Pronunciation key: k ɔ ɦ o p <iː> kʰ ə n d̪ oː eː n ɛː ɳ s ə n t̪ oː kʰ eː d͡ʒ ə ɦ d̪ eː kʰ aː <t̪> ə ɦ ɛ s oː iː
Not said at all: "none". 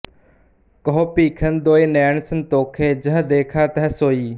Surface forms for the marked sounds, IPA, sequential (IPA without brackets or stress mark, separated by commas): iː, t̪